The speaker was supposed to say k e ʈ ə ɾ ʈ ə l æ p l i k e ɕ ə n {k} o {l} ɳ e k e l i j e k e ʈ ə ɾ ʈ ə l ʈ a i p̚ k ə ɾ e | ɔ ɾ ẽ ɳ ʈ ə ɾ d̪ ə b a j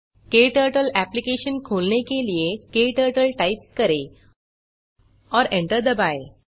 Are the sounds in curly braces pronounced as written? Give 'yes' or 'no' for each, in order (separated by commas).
no, yes